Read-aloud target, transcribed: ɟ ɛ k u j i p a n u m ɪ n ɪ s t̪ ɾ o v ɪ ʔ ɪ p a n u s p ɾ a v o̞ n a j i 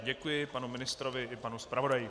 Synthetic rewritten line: ɟ ɛ k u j ɪ p a n u m ɪ n ɪ s t̪ ɾ o v ɪ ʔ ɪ p a n u s p ɾ a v o̞ d a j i